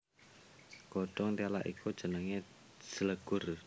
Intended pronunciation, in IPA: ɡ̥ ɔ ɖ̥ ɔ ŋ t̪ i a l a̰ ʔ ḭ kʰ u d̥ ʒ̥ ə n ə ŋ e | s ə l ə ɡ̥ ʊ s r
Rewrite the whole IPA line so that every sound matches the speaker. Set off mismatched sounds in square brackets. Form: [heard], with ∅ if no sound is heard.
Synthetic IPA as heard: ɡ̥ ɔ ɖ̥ ɔ ŋ t̪ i a l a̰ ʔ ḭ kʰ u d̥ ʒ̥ ə n ə ŋ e | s ə l ə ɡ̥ ʊ [∅] r